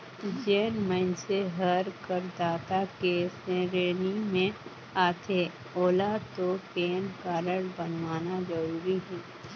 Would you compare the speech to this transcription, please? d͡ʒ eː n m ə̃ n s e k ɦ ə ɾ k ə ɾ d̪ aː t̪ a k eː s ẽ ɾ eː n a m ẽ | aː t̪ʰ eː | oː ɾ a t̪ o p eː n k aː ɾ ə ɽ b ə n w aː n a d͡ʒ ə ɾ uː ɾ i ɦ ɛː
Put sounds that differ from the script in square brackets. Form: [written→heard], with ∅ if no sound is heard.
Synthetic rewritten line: d͡ʒ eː n m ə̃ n s e [k→∅] ɦ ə ɾ k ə ɾ d̪ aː t̪ a k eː s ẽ ɾ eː n [a→i] m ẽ | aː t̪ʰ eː | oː [ɾ→l] a t̪ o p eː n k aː ɾ ə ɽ b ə n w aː n a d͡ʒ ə ɾ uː ɾ i ɦ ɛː